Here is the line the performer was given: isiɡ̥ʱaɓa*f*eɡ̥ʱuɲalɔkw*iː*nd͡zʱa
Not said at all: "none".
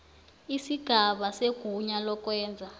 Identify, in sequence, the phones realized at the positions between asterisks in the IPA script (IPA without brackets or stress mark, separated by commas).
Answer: s, ɛː